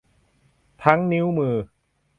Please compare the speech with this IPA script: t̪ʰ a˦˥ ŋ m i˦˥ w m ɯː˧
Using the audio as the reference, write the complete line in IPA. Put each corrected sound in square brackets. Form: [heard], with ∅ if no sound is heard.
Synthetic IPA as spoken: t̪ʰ a˦˥ ŋ [n] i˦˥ w m ɯː˧